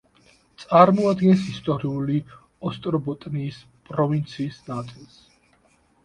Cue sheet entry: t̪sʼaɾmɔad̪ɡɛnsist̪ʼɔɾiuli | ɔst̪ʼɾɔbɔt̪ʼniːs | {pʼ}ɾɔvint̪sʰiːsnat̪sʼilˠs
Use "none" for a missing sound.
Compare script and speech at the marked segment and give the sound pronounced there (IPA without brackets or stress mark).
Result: pʼ